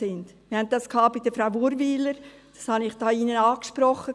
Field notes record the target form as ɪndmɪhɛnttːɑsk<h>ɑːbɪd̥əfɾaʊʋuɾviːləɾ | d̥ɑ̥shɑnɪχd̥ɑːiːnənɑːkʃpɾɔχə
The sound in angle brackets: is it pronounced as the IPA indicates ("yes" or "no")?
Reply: yes